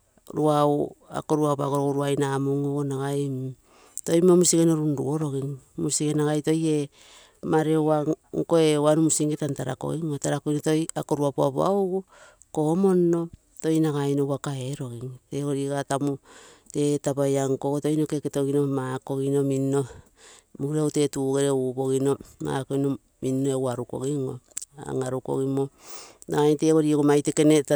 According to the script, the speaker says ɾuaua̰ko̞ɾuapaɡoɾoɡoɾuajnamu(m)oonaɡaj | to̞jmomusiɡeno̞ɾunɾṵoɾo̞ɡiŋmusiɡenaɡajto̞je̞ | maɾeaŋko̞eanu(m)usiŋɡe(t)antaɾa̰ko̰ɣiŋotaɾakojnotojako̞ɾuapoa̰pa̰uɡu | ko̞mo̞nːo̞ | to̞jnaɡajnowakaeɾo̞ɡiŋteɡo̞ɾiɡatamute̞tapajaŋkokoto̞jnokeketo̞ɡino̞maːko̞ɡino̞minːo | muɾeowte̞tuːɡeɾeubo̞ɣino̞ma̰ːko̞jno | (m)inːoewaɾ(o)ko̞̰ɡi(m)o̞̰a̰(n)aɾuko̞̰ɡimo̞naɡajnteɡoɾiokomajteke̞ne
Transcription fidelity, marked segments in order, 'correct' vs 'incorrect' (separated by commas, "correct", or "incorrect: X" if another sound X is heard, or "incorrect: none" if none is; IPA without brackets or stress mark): incorrect: ŋ, correct, correct, correct, incorrect: u, incorrect: ŋ, incorrect: ŋ